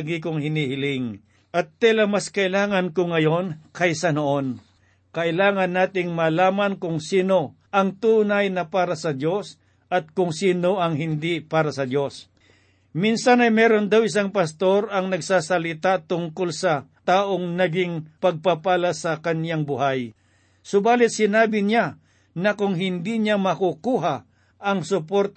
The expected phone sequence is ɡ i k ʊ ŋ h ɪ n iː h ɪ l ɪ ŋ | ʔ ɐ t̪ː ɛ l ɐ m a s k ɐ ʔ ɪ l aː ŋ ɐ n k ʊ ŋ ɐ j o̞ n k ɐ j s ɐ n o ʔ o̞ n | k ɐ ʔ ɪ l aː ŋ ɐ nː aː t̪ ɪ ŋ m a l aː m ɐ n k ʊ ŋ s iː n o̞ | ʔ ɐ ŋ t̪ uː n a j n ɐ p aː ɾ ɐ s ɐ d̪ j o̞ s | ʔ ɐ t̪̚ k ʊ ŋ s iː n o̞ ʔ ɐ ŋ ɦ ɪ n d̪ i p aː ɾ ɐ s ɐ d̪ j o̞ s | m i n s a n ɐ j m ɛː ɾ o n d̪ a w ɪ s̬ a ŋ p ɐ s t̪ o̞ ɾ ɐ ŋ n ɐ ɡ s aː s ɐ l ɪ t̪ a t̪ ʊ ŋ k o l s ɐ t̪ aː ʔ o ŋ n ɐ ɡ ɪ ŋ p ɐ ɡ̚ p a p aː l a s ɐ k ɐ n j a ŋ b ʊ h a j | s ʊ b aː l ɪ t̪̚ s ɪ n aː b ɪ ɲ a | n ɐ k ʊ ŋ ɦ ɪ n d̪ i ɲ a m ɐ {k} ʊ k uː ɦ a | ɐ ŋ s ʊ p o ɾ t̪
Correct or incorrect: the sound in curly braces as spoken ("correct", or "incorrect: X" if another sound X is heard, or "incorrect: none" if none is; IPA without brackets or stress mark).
correct